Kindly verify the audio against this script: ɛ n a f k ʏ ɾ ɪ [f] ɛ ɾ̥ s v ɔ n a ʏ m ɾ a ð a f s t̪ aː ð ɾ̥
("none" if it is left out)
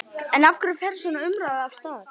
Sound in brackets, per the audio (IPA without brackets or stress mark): f